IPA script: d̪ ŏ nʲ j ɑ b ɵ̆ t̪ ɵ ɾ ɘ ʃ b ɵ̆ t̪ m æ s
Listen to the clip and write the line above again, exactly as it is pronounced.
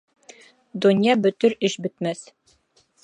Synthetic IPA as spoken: d̪ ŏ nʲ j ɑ b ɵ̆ t̪ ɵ ɾ ɘ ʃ b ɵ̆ t̪ m æ s